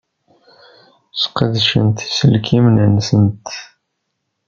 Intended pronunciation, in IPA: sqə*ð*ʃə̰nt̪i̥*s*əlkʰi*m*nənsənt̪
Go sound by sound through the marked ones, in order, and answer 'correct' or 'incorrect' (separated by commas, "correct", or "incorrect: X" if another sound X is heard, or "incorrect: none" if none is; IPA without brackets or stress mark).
correct, correct, correct